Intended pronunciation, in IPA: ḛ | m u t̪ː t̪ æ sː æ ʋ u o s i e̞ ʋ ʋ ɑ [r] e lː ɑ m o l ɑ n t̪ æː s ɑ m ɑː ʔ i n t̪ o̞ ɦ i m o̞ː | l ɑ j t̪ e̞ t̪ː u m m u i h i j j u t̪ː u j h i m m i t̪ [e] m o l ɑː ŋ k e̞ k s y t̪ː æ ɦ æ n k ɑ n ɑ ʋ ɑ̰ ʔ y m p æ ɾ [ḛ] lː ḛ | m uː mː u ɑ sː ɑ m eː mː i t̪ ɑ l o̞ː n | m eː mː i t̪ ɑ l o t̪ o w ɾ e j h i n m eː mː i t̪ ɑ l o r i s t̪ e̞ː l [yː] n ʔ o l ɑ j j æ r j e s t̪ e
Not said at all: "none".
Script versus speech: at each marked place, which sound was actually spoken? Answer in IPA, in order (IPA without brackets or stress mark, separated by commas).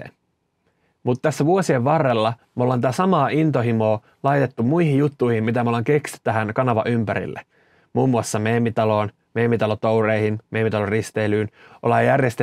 rː, æ, ḭ, yː